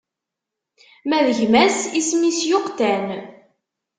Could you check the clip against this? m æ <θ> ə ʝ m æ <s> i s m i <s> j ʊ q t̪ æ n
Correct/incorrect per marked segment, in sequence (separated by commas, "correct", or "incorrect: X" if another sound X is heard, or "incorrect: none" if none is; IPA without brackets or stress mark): incorrect: ð, correct, correct